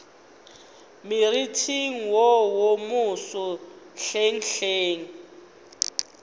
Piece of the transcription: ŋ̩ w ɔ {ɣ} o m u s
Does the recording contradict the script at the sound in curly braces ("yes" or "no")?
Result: yes